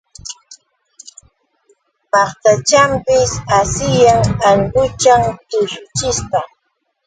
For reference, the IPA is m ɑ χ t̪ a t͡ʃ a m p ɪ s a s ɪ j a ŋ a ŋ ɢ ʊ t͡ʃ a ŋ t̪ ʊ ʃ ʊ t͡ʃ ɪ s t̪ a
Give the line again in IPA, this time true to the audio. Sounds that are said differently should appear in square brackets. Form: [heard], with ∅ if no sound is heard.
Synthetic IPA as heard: m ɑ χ t̪ a t͡ʃ a m p ɪ s a s ɪ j a ŋ a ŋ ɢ ʊ t͡ʃ a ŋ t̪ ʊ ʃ ʊ t͡ʃ ɪ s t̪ a